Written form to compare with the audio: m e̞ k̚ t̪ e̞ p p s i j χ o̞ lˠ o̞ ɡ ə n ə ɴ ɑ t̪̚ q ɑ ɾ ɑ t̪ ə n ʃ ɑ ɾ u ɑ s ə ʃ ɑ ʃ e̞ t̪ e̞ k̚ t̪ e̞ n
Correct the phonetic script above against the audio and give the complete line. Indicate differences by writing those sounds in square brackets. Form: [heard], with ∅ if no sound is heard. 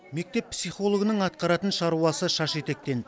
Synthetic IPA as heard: m e̞ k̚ t̪ e̞ p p s i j χ o̞ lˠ o̞ ɡ ə n ə ɴ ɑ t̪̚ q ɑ ɾ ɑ t̪ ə n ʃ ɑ ɾ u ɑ s ə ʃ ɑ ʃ e̞ t̪ e̞ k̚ t̪ e̞ n